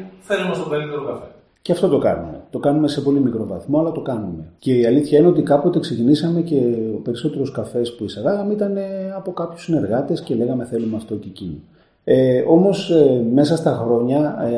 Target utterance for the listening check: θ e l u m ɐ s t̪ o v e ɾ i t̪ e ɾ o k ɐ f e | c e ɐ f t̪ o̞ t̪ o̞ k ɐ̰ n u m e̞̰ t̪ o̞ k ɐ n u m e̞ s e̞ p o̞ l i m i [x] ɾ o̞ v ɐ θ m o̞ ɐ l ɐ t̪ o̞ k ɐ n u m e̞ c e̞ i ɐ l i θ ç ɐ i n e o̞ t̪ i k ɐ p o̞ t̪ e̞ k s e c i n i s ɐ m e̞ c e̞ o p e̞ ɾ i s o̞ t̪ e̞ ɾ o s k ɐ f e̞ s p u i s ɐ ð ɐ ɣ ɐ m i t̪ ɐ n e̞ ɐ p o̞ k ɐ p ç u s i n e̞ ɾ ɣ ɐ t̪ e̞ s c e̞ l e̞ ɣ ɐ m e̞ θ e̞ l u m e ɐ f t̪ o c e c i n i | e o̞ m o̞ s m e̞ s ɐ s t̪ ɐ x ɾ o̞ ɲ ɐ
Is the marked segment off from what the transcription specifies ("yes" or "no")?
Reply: yes